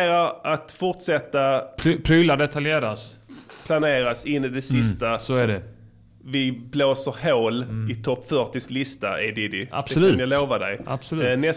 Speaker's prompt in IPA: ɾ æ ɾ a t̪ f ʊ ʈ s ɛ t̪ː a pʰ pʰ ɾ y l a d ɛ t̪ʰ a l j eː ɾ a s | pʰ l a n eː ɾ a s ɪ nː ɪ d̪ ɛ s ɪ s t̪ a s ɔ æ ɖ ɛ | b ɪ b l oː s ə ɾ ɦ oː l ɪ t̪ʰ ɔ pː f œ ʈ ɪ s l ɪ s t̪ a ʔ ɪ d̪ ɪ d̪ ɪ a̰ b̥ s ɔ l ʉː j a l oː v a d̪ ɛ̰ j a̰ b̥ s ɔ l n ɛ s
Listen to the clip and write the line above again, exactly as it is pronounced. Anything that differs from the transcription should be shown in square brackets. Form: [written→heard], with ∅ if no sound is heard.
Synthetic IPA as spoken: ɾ [æ→a] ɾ a t̪ f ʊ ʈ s ɛ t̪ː a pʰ pʰ ɾ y l a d ɛ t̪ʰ a l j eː ɾ a s | pʰ l a n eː ɾ a s ɪ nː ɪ d̪ ɛ s ɪ s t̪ a s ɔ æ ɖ ɛ | [b→v] ɪ b l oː s ə ɾ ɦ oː l ɪ t̪ʰ ɔ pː f œ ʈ ɪ s l ɪ s t̪ a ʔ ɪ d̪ ɪ d̪ ɪ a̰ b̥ s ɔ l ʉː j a l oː v a d̪ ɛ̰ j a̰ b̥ s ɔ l n ɛ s